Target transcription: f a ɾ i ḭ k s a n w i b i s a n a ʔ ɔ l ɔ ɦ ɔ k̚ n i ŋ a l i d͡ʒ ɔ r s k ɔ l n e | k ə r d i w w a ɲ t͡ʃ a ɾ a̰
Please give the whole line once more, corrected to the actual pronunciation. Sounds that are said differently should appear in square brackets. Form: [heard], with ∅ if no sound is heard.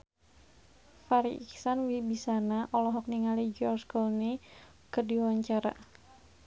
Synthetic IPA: f a ɾ i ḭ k s a n w i b i s a n a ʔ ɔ l ɔ ɦ ɔ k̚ n i ŋ a l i d͡ʒ ɔ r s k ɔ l n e | k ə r d i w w a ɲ t͡ʃ a ɾ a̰